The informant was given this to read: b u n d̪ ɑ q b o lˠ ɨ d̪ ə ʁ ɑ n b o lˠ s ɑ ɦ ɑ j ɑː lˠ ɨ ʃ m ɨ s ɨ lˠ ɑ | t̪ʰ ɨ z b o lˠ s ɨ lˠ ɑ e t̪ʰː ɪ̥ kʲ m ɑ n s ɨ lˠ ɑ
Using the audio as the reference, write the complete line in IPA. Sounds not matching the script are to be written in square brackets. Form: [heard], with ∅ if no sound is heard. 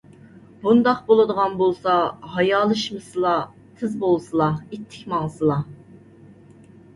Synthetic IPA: b u n d̪ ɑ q b o lˠ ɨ d̪ ə ʁ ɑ n b o lˠ s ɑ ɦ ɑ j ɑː lˠ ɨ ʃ m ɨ s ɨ lˠ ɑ | t̪ʰ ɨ z b o lˠ s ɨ lˠ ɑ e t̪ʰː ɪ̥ kʲ m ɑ [ŋ] s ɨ lˠ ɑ